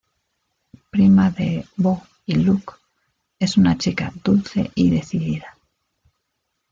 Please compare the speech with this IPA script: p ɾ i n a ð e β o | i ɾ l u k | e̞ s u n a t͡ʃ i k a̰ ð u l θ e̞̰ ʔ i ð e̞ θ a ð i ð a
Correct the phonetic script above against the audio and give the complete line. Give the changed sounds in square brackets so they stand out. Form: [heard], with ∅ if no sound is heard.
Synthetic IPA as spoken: p ɾ i [m] a ð e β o | i [∅] l u k | e̞ s u n a t͡ʃ i k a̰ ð u l θ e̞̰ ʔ i ð e̞ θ [i] ð i ð a